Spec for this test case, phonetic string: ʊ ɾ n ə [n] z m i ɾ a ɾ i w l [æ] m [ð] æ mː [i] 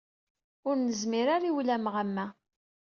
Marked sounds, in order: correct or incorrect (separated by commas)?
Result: incorrect, correct, incorrect, incorrect